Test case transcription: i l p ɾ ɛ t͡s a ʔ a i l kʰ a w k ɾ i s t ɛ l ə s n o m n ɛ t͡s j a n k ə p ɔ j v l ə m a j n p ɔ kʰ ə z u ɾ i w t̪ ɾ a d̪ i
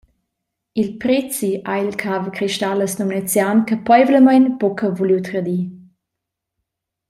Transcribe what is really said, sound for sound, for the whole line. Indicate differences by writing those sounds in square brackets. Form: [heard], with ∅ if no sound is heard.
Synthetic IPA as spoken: i l p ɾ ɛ t͡s [i] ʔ a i l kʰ a [v] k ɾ i [ʃ] t [a] l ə s n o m n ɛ t͡s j a n k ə p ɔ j v l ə m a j n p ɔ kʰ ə [v] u [l] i w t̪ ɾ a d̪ i